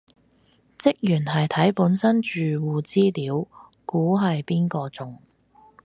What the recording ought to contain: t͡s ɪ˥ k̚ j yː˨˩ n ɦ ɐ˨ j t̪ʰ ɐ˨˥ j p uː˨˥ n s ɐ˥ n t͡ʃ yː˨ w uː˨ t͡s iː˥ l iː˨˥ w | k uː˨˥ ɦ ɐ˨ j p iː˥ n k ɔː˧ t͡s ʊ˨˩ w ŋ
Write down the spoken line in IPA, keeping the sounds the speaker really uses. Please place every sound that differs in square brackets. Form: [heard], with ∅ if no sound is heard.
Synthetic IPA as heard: t͡s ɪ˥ k̚ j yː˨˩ n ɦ ɐ˨ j t̪ʰ ɐ˨˥ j p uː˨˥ n s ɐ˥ n t͡ʃ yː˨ w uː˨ t͡s iː˥ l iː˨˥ w | k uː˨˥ ɦ ɐ˨ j p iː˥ n k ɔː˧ t͡s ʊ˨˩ [∅] ŋ